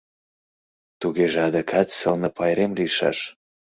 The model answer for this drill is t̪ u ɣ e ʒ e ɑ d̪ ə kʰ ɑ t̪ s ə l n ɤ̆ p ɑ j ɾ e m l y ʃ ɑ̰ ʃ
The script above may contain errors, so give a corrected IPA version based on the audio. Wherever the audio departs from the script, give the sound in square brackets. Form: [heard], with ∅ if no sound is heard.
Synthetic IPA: t̪ u ɣ e ʒ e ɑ d̪ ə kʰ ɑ t̪ s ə l n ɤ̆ p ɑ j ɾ e m l [i] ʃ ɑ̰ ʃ